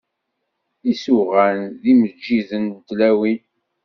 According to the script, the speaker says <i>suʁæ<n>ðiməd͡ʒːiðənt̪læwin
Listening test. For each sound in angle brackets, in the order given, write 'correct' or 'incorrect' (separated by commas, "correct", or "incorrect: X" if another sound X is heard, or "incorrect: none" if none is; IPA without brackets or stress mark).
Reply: correct, correct